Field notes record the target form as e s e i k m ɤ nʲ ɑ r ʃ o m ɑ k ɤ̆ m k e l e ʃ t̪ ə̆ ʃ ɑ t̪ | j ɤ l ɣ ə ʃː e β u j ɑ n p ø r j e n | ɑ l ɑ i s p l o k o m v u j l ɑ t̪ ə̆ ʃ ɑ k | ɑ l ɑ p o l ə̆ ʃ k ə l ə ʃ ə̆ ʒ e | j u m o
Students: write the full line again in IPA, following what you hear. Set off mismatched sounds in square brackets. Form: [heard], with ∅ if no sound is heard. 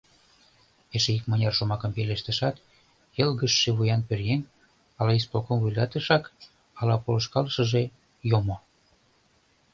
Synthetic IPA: e [ʃ] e i k m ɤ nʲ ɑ r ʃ o m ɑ k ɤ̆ m [p] e l e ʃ t̪ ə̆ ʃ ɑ t̪ | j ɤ l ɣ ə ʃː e β u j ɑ n p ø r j e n | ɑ l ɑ i s p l o k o m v u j l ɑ t̪ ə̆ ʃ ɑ k | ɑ l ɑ p o l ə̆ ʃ k [ɑ] l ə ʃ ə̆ ʒ e | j [o] m o